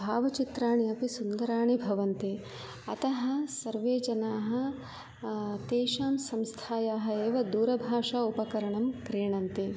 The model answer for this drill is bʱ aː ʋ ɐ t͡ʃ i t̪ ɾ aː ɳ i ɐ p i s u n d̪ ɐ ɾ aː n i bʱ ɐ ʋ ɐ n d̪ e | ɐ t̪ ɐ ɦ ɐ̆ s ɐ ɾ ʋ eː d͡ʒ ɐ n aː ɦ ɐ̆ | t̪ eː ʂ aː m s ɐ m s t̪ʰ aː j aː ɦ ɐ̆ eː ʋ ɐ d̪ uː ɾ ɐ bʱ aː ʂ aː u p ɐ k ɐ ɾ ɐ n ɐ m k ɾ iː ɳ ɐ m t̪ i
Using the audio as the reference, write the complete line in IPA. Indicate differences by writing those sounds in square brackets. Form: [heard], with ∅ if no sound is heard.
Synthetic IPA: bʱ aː ʋ ɐ t͡ʃ i t̪ ɾ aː ɳ i ɐ p i s u n d̪ ɐ ɾ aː [ɳ] i bʱ ɐ ʋ ɐ n [t̪] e | ɐ t̪ ɐ ɦ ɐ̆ s ɐ ɾ ʋ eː d͡ʒ ɐ n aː ɦ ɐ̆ | t̪ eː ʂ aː m s ɐ m s t̪ʰ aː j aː ɦ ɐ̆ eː ʋ ɐ d̪ uː ɾ ɐ bʱ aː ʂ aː u p ɐ k ɐ ɾ ɐ [ɳ] ɐ m k ɾ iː ɳ ɐ [n] t̪ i